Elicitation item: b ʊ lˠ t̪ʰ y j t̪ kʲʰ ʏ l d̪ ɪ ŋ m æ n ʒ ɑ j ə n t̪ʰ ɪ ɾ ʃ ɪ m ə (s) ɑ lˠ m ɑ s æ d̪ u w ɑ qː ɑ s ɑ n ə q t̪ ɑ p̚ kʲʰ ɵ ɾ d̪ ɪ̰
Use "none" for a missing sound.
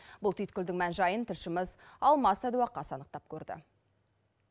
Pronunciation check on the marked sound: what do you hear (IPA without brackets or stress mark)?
z